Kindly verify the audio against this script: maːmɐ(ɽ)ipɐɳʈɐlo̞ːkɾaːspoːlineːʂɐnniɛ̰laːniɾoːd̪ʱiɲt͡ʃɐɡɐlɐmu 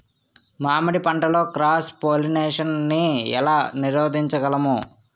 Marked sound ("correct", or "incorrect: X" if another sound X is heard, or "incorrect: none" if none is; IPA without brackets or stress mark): correct